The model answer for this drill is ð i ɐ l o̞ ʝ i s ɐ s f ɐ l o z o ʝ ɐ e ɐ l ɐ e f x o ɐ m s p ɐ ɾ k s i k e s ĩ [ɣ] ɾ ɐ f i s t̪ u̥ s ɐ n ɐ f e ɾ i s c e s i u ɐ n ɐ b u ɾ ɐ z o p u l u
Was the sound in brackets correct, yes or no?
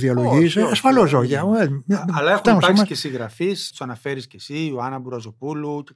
yes